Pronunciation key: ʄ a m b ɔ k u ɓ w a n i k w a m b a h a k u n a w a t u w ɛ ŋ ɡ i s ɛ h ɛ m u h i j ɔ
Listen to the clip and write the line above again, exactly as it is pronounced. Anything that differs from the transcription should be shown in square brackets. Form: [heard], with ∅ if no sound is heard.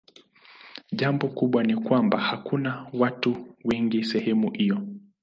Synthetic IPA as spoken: ʄ a m b ɔ k u ɓ w a n i k w a m b a h a k u n a w a t u w ɛ ŋ ɡ i s ɛ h ɛ m u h i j ɔ